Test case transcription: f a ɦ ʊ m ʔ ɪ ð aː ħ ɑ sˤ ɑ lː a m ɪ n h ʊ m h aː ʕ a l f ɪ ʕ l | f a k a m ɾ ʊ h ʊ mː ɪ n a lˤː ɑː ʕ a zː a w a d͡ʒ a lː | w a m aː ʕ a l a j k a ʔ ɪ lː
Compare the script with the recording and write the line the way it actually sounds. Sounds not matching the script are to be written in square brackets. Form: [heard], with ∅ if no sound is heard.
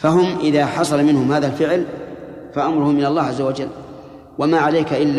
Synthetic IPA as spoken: f a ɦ ʊ m ʔ ɪ ð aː ħ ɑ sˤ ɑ [l] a m ɪ n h ʊ m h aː [ð] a l f ɪ ʕ l | f a [ʔ] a m ɾ ʊ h ʊ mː ɪ n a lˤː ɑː ʕ a zː a w a d͡ʒ a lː | w a m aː ʕ a l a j k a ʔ ɪ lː